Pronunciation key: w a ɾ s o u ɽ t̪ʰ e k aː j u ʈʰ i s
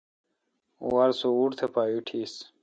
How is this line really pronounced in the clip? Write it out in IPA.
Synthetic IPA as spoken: w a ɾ s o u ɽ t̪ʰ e p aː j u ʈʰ i s